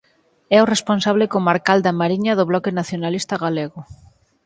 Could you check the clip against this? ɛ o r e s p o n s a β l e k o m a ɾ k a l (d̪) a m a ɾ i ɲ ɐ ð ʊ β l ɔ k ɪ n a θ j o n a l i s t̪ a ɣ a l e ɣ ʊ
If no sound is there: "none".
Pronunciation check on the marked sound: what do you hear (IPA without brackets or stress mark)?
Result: d̪